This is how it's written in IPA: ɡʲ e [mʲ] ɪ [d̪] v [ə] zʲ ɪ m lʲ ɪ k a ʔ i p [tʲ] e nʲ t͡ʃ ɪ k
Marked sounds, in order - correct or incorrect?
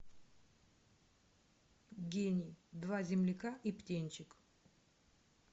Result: incorrect, correct, incorrect, correct

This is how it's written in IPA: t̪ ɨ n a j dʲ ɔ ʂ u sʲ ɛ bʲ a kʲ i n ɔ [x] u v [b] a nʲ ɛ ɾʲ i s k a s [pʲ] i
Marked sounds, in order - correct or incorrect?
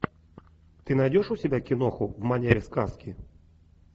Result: correct, incorrect, incorrect

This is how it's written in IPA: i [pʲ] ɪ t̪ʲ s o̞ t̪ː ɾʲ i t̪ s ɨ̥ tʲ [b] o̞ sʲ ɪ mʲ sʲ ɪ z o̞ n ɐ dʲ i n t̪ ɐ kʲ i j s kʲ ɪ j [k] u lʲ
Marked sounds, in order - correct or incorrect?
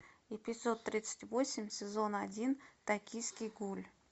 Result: correct, incorrect, incorrect

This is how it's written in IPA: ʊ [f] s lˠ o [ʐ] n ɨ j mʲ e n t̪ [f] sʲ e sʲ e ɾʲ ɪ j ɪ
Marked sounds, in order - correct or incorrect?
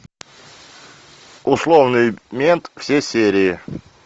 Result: incorrect, incorrect, correct

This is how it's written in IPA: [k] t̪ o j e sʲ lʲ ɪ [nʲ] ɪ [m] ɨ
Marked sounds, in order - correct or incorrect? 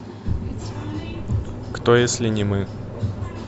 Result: correct, correct, correct

